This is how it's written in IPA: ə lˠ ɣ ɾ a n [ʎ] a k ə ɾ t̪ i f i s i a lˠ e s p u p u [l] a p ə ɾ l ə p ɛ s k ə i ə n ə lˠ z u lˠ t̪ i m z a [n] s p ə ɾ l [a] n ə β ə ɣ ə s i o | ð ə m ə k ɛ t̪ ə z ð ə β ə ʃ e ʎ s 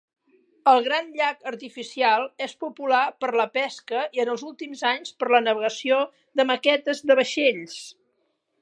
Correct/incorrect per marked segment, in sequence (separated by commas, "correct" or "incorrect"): correct, correct, incorrect, incorrect